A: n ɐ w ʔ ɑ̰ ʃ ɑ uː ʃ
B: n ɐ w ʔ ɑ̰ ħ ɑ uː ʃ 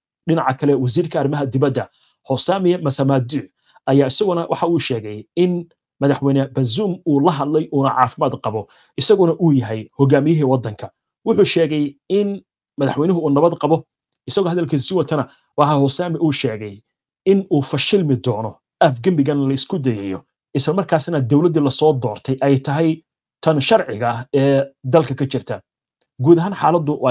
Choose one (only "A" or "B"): B